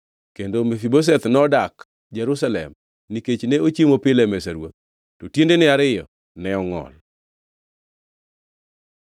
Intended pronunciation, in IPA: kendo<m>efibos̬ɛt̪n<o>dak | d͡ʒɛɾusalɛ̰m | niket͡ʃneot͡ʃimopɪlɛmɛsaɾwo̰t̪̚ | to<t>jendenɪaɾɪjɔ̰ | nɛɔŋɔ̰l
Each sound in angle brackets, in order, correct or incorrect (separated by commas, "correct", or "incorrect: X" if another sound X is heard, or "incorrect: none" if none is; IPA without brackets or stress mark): correct, incorrect: ɔ, correct